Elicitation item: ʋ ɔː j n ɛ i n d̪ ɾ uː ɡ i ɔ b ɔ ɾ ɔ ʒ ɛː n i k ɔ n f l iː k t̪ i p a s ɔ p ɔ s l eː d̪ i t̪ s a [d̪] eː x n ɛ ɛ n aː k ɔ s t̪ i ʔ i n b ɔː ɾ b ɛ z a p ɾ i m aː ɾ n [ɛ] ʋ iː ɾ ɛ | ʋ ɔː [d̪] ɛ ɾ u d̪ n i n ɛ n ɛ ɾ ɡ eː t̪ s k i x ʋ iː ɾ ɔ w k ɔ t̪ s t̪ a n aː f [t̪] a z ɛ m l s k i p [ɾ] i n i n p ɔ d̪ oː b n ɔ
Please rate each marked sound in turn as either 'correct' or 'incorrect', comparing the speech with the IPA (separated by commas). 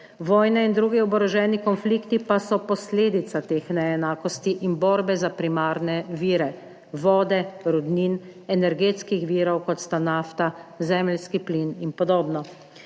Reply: incorrect, correct, correct, correct, incorrect